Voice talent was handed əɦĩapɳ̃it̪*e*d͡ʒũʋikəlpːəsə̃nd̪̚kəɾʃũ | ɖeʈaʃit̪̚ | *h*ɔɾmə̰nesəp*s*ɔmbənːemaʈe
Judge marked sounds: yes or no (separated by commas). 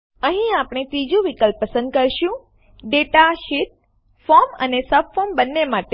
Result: no, no, no